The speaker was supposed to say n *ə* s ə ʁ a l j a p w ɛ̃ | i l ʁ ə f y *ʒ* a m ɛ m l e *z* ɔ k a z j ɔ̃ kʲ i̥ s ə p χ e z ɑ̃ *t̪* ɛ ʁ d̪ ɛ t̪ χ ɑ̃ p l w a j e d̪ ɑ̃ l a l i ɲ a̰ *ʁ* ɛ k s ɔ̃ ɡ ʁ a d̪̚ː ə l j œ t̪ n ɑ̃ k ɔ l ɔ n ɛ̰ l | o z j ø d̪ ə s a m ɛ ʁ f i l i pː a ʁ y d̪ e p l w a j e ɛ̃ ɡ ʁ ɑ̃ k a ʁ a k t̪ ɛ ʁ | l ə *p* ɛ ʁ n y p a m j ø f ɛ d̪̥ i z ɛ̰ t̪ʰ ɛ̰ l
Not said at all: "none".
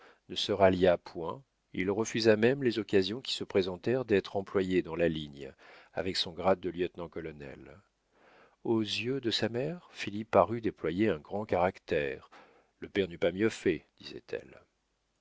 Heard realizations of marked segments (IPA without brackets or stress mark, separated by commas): ə, z, z, t̪, v, p